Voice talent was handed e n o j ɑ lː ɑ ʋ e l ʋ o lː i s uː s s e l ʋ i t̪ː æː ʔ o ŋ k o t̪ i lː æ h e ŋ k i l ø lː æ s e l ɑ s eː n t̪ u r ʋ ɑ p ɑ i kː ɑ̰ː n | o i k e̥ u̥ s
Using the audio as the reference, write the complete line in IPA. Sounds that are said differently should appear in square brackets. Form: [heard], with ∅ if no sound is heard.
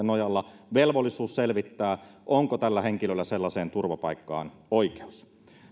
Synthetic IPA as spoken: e n o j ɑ lː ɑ ʋ e l ʋ o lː i s uː s s e l ʋ i t̪ː æː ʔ o ŋ k o t̪ [æ] lː æ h e ŋ k i l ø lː æ s e [lː] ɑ s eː n t̪ u r ʋ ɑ p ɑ i kː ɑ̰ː n | o i k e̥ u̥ s

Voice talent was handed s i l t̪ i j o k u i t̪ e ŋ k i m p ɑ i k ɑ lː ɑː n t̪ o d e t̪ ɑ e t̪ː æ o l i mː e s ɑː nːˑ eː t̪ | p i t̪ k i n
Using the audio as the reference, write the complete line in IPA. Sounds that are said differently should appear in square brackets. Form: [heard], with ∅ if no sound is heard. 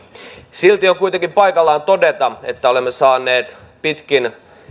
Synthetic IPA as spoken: s i l t̪ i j o k u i t̪ e ŋ k i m p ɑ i k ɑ lː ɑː n t̪ o d e t̪ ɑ e t̪ː æ o l [e] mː e s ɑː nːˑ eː t̪ | p i t̪ k i n

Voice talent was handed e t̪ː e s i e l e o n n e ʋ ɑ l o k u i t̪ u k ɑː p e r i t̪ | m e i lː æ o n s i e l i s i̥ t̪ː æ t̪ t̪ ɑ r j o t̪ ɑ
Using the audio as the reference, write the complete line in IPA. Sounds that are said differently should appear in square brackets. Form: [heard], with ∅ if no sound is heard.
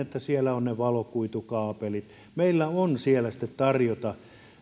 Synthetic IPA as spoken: e t̪ː [æ] s i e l [æ] o n n e ʋ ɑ l o k u i t̪ u k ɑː p e [l] i t̪ | m e i lː æ o n s i e l [æ] s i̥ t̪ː [e] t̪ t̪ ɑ r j o t̪ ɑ

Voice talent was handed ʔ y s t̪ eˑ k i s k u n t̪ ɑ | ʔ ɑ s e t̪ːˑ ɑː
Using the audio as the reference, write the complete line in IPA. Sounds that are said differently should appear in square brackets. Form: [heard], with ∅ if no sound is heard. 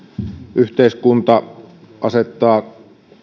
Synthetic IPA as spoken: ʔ y [h] t̪ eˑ [∅] i s k u n t̪ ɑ | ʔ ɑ s e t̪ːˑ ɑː

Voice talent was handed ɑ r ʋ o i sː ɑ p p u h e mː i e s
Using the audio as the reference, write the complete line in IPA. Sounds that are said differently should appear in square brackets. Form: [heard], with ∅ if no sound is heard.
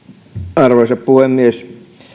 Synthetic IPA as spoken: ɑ r ʋ o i [s] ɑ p p u h e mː i e s

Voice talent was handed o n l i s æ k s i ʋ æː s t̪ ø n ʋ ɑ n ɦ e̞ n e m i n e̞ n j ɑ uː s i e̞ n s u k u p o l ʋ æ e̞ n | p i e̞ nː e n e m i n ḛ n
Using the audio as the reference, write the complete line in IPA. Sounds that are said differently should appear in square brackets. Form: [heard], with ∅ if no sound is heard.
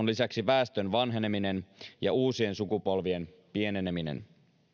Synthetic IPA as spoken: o n l i s æ k s i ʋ æː s t̪ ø n ʋ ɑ n ɦ e̞ n e m i n e̞ n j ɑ uː s i e̞ n s u k u p o l ʋ [i] e̞ n | p i e̞ [n] e n e m i n ḛ n

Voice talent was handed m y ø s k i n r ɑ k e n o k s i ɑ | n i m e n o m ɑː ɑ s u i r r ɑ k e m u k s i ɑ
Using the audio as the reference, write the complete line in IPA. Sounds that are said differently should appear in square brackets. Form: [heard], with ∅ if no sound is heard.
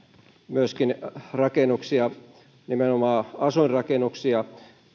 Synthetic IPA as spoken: m y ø s k i n r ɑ k e n [u] k s i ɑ | n i m e n o m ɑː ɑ s u i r r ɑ k e [n] u k s i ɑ

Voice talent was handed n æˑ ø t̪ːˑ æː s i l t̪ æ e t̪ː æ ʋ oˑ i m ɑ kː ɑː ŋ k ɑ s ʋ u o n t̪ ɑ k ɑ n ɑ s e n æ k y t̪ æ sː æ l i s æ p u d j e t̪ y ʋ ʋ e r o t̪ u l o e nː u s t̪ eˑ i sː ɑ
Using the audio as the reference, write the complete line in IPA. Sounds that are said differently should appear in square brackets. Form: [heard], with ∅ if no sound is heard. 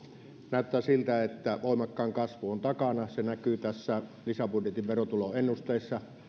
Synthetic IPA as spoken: n æˑ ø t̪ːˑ æː s i l t̪ æ e t̪ː æ ʋ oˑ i m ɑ kː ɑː ŋ k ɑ s ʋ u o n t̪ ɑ k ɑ n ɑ s e n æ k y t̪ æ sː æ l i s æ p u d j e t̪ [i] ʋ ʋ e r o t̪ u l o e nː u s t̪ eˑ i sː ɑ

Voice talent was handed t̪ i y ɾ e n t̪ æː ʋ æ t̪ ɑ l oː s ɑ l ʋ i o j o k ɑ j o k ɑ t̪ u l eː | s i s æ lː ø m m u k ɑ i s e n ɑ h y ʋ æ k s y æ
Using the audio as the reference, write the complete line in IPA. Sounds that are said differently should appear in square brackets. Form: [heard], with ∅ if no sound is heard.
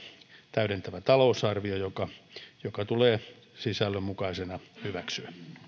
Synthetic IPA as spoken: t̪ [æ] y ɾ e n t̪ [æ] ʋ æ t̪ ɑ l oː s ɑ [r] ʋ i o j o k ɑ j o k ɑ t̪ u l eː | s i s æ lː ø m m u k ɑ i s e n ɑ h y ʋ æ k s y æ

